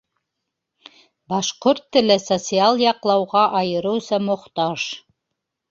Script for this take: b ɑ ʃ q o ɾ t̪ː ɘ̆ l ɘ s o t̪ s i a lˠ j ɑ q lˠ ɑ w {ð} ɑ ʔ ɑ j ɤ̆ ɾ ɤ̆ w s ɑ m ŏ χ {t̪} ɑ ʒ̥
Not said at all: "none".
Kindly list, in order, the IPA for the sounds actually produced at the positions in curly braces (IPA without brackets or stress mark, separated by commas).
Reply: ʁ, t̪